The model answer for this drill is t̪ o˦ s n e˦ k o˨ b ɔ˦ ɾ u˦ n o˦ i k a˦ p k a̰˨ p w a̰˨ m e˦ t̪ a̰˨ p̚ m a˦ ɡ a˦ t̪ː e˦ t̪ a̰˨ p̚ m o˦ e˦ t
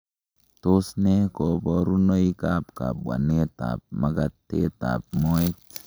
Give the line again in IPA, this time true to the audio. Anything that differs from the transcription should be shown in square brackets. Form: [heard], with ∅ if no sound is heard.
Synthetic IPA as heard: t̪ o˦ s n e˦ k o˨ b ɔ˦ ɾ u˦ n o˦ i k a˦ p k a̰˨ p w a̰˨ [n] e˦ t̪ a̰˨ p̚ m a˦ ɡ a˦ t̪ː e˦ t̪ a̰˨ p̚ m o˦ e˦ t